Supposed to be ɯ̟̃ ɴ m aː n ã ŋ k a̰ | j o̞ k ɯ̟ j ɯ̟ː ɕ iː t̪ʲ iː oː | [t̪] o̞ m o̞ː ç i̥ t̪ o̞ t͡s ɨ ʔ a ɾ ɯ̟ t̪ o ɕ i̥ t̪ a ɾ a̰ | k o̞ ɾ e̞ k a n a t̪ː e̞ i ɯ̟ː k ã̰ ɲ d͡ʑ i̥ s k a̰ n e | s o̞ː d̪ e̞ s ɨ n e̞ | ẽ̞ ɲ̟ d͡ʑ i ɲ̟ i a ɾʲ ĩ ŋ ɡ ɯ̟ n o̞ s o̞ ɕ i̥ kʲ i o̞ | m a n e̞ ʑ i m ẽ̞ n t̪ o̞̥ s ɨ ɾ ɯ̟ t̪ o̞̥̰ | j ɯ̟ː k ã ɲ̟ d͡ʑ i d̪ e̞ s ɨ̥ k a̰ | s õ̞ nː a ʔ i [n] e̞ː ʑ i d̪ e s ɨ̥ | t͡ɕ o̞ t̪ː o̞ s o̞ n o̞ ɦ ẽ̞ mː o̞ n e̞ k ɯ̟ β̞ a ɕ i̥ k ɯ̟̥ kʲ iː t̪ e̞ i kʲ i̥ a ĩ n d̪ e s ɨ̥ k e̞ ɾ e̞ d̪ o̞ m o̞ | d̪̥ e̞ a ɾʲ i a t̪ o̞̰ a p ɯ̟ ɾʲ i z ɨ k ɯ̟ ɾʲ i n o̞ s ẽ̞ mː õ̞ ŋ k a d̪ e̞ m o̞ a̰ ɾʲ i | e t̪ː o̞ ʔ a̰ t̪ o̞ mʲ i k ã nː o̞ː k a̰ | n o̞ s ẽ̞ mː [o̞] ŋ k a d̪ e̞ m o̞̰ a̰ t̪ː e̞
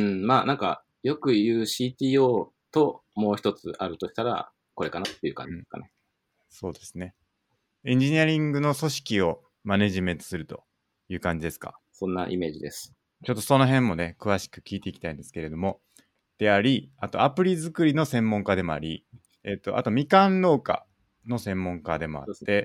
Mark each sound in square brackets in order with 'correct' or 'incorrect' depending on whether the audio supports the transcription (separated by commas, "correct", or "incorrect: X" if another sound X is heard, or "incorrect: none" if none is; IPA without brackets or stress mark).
correct, incorrect: m, incorrect: õ̞